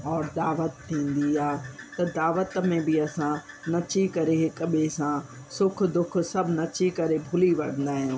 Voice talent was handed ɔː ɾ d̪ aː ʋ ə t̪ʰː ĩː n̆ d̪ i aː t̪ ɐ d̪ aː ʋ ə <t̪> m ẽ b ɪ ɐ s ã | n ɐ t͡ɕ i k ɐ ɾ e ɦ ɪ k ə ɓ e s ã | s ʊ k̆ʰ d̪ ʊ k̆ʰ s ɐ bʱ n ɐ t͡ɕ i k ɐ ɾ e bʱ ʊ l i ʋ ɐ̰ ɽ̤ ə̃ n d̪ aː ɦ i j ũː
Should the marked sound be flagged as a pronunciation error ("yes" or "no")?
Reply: no